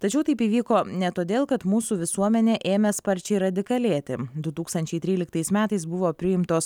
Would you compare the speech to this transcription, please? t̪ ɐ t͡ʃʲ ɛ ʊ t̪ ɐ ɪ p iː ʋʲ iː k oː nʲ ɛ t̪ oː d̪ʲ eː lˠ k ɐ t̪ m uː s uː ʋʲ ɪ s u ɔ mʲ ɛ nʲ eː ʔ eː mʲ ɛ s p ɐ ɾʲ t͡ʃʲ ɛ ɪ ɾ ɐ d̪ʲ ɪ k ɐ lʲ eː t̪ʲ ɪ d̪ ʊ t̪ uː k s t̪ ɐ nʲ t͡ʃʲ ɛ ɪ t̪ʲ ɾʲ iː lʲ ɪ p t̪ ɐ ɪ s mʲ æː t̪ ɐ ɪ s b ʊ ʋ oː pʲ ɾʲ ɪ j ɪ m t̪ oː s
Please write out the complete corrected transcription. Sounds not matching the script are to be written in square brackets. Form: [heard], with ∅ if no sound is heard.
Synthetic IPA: t̪ ɐ t͡ʃʲ ɛ ʊ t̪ ɐ ɪ p iː ʋʲ iː k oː nʲ ɛ t̪ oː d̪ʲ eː lˠ k ɐ t̪ m uː s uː ʋʲ ɪ s u ɔ mʲ ɛ nʲ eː ʔ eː mʲ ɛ s p ɐ ɾʲ t͡ʃʲ ɛ ɪ ɾ ɐ d̪ʲ ɪ k ɐ lʲ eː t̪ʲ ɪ d̪ ʊ t̪ uː k s t̪ ɐ nʲ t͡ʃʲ ɛ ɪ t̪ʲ ɾʲ iː lʲ ɪ [k] t̪ ɐ ɪ s mʲ æː t̪ ɐ ɪ s b ʊ ʋ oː pʲ ɾʲ ɪ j ɪ m t̪ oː s